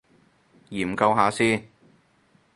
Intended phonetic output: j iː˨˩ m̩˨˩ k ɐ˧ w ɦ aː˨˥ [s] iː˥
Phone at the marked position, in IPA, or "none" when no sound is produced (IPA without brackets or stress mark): s